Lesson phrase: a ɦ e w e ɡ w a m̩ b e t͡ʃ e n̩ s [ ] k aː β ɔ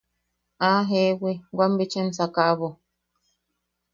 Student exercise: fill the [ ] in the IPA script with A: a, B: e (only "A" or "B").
A